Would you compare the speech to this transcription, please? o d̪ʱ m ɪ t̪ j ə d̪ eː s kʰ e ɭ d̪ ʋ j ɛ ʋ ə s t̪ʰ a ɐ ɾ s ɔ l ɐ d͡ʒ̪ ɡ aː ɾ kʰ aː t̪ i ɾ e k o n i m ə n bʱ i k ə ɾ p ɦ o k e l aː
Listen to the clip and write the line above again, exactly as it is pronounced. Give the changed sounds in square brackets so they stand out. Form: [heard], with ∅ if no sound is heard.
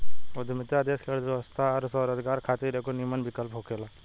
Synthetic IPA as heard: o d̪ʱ m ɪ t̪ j [a] d̪ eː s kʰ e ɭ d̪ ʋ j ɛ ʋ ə s t̪ʰ a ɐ ɾ s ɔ [ɾ] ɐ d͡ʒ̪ ɡ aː ɾ kʰ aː t̪ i ɾ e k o n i m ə n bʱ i k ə [l] p ɦ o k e l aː